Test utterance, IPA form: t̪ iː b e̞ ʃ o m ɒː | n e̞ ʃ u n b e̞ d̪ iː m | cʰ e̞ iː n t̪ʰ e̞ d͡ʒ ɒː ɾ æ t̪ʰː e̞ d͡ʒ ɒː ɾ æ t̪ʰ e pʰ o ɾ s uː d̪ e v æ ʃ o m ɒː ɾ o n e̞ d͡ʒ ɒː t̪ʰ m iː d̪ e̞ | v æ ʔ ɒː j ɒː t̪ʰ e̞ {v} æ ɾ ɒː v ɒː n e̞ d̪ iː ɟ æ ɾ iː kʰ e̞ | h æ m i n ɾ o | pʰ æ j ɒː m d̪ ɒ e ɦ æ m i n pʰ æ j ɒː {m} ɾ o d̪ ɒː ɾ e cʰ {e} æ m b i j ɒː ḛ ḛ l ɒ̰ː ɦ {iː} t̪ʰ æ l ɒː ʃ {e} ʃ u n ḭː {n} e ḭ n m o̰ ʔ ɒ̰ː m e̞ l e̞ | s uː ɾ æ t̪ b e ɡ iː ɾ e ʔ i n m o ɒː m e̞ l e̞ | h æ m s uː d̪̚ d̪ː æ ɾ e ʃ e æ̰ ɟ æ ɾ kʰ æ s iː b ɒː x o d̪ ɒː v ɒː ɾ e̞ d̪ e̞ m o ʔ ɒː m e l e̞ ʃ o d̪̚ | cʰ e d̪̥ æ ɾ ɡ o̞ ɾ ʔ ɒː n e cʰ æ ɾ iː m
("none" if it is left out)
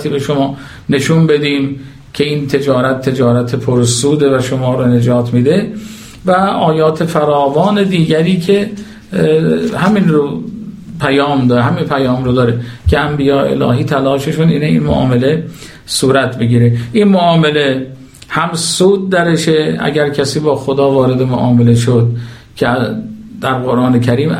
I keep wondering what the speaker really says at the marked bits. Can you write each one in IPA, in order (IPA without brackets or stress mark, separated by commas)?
f, m, e, iː, e, n